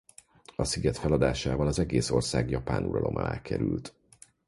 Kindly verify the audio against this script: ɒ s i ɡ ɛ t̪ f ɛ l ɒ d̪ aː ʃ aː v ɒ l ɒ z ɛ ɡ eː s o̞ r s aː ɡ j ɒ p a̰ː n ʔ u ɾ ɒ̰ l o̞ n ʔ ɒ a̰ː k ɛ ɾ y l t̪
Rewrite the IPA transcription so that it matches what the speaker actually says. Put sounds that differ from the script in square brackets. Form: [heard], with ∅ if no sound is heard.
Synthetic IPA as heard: ɒ s i ɡ ɛ t̪ f ɛ l ɒ d̪ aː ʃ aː v ɒ l ɒ z ɛ ɡ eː s o̞ r s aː ɡ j ɒ p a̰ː n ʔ u ɾ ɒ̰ l o̞ [m] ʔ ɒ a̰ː k ɛ ɾ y l t̪